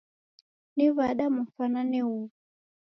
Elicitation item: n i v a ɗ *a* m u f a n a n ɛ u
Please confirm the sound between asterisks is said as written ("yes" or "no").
yes